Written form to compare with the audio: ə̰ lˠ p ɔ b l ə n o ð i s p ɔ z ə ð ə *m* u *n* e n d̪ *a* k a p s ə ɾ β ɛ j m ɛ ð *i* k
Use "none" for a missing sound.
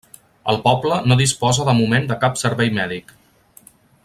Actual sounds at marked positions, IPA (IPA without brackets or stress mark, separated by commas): m, m, ə, i